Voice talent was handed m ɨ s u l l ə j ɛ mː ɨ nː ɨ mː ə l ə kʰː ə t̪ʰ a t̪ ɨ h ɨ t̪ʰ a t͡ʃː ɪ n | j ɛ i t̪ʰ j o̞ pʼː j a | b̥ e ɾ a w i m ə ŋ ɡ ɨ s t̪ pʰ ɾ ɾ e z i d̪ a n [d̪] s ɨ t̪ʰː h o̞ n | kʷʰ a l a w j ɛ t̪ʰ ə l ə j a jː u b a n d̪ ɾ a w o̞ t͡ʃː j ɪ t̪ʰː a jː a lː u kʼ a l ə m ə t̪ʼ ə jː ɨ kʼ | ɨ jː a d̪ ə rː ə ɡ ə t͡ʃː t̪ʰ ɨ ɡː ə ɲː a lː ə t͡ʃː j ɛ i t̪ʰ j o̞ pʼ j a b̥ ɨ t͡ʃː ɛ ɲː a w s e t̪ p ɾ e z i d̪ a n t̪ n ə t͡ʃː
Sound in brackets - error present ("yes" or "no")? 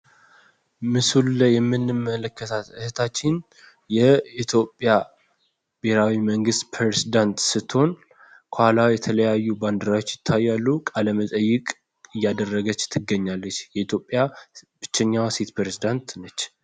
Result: yes